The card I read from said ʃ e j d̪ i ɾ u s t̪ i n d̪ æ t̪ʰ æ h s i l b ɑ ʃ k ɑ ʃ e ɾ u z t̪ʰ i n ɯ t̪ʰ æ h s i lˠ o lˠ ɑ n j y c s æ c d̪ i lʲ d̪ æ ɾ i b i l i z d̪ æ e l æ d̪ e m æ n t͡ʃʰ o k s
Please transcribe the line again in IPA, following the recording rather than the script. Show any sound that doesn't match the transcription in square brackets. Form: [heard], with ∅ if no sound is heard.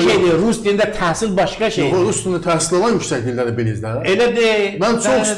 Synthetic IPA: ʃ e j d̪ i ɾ u s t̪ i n d̪ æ t̪ʰ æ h s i l b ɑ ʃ k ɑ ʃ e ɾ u [s] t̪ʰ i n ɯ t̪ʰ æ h s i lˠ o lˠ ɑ n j y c s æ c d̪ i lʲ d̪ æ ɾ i b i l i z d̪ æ e l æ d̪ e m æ n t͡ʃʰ o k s